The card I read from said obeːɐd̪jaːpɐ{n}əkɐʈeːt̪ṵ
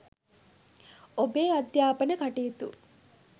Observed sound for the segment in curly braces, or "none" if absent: n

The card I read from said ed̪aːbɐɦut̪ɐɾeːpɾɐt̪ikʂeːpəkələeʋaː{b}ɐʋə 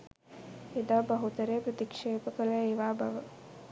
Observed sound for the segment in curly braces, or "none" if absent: b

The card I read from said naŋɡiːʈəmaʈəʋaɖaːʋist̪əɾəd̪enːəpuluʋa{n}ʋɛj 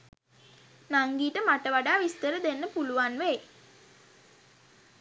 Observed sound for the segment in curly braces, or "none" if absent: n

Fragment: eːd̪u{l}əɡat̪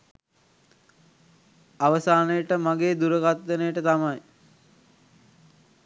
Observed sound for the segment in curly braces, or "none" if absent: ɾ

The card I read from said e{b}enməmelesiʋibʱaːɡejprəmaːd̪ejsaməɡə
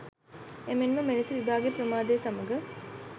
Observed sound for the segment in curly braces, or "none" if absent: m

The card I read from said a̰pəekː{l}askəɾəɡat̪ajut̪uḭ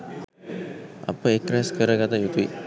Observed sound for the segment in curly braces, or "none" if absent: ɾ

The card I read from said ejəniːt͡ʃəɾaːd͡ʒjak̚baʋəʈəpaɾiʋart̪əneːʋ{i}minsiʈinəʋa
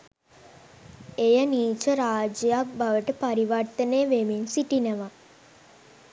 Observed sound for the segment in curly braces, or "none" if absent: e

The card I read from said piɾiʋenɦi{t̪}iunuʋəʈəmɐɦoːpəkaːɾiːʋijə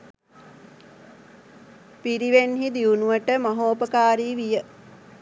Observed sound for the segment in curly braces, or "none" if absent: d̪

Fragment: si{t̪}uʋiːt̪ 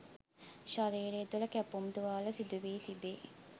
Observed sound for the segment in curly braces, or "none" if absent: d̪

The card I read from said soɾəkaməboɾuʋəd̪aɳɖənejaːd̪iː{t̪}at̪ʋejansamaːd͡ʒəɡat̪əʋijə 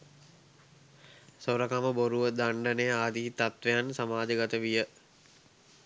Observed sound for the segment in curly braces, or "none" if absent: t̪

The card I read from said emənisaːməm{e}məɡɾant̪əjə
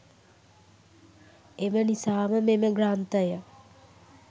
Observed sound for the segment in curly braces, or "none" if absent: e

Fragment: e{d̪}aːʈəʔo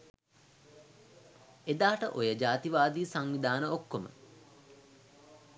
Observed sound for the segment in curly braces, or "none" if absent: d̪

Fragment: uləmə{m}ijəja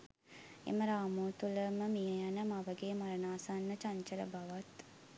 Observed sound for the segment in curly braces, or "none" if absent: m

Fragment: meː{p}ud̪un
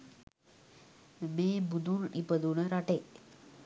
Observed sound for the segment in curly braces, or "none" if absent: b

